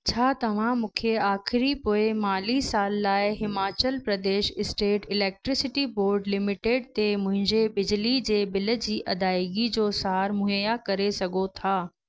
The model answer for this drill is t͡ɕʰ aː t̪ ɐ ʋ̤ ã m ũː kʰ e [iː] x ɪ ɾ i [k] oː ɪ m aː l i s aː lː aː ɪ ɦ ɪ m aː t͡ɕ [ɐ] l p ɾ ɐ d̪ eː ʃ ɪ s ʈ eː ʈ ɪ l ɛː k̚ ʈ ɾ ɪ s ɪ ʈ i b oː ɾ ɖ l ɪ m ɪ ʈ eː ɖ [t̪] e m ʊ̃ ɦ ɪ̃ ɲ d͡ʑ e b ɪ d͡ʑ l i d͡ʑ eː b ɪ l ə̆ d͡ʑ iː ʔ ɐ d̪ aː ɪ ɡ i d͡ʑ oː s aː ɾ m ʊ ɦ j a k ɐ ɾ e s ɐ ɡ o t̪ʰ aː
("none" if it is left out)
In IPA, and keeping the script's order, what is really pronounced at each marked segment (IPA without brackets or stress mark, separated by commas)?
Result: aː, p, ə, t̪